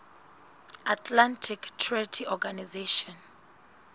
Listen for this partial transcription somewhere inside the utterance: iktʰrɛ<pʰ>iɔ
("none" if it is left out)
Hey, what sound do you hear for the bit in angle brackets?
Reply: tʰ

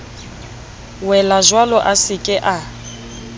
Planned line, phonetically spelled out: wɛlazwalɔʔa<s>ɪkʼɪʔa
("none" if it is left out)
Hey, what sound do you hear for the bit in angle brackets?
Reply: s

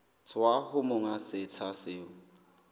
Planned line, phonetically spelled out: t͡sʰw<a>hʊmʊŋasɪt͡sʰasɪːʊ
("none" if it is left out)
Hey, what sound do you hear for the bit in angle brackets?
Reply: a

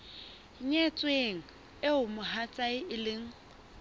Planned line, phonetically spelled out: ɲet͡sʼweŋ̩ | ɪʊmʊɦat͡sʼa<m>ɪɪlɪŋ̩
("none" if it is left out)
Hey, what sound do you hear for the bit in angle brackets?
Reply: none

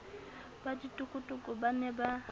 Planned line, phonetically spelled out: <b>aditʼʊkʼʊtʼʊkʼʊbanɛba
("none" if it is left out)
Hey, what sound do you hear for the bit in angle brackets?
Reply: b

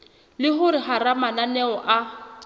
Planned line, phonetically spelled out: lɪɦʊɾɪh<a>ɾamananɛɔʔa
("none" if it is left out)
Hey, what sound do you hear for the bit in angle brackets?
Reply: a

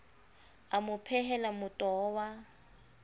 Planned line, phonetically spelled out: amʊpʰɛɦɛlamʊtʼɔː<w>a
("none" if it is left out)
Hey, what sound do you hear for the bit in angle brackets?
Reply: w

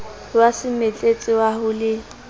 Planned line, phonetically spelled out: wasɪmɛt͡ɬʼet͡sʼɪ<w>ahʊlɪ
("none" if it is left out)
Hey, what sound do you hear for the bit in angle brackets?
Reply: w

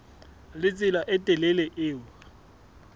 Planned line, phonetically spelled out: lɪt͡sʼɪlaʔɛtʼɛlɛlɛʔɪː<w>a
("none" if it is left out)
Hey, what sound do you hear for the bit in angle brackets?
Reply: w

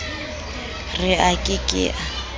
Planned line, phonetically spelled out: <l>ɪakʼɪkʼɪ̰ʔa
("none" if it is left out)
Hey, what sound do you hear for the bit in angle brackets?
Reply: r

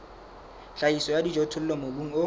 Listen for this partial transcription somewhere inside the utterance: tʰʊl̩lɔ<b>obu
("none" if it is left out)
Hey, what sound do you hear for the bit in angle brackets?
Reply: m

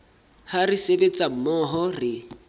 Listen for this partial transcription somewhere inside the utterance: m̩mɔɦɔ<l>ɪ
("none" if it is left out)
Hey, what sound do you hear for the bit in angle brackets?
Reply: r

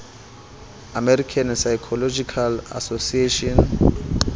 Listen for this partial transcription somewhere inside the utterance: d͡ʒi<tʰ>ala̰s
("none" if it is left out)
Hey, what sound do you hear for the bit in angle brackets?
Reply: kʰ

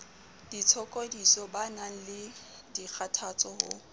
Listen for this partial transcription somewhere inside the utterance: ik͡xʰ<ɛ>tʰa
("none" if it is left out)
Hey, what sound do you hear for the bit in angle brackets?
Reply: a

